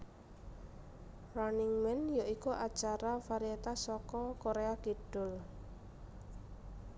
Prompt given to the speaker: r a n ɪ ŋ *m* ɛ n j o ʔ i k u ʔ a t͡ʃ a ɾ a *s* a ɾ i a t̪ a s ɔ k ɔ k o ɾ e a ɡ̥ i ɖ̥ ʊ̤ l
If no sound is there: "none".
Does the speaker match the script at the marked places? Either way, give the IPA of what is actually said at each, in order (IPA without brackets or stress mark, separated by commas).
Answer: m, f